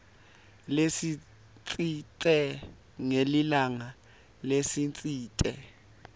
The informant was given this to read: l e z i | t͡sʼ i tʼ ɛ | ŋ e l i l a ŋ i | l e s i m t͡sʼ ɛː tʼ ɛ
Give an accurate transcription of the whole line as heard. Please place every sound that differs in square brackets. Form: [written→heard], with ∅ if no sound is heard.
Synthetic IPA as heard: l e [z→s] i | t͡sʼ i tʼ ɛ | ŋ e l i l a ŋ [i→a] | l e s i [m→n] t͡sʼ [ɛː→iː] tʼ ɛ